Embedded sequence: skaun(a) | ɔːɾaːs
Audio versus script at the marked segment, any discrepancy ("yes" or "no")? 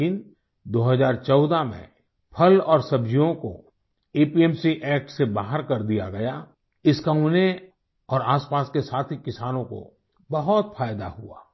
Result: yes